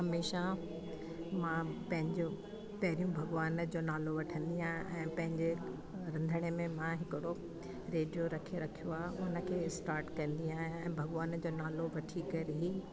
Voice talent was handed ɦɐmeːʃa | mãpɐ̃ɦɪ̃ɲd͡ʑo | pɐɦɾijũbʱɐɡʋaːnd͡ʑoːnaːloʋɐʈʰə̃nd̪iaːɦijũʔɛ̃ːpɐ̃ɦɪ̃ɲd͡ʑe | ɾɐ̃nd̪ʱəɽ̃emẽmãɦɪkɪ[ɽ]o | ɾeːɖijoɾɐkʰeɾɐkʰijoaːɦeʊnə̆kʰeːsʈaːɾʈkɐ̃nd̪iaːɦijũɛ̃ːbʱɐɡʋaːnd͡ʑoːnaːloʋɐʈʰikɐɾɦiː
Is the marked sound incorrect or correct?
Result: correct